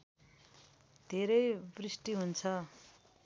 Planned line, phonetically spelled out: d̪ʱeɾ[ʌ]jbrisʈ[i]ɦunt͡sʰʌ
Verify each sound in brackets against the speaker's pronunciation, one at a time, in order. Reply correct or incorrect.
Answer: correct, correct

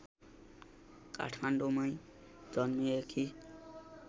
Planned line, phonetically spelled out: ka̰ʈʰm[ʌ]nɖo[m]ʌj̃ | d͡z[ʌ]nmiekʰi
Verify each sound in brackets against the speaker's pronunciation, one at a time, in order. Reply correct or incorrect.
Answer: incorrect: a, correct, correct

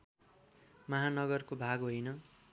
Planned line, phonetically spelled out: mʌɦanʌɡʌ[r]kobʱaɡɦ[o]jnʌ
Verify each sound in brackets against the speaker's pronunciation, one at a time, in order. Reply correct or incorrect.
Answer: correct, correct

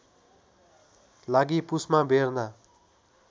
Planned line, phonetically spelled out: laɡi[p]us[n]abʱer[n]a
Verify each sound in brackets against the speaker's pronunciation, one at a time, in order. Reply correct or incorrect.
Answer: correct, incorrect: m, correct

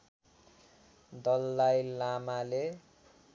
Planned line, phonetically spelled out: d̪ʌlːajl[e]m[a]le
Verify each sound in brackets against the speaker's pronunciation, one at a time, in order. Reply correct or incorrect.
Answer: incorrect: a, correct

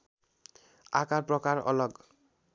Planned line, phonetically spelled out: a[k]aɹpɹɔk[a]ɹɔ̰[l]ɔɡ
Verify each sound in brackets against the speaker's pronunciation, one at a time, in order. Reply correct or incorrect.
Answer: correct, correct, correct

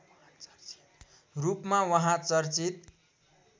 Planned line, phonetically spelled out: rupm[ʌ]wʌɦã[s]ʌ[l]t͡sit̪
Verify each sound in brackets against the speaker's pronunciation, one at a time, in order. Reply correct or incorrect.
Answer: incorrect: a, incorrect: t͡s, incorrect: r

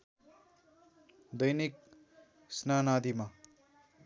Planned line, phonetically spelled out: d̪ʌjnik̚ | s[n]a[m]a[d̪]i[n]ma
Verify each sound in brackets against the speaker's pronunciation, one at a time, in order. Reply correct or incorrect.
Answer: correct, incorrect: n, correct, incorrect: none

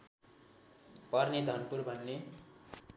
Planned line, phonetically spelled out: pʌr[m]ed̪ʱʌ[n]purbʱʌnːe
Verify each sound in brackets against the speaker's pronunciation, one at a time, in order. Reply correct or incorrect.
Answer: incorrect: n, correct

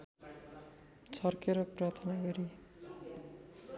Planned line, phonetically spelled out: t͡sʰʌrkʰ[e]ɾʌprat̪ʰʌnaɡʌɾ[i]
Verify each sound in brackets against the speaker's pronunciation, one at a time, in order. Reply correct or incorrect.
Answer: correct, correct

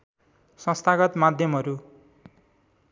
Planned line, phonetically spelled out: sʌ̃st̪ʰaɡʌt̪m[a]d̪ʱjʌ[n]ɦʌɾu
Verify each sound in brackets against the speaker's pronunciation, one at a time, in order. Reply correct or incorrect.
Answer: correct, incorrect: m

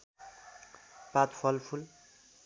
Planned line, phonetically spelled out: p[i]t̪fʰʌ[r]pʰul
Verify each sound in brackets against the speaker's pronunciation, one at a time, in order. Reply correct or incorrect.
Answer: incorrect: a, incorrect: l

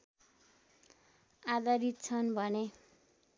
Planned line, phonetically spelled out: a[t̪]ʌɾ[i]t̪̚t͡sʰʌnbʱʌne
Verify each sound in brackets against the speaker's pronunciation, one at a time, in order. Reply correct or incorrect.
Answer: incorrect: d̪, correct

